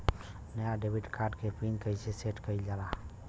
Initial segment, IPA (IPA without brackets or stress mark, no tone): n